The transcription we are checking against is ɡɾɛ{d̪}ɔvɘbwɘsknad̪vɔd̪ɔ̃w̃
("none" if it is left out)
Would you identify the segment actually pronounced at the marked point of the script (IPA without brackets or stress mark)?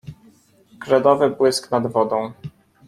d̪